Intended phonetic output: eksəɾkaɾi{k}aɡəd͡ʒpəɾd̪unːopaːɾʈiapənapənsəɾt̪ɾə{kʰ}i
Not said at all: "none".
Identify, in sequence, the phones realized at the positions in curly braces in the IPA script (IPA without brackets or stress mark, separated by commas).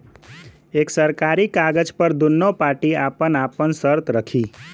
k, kʰ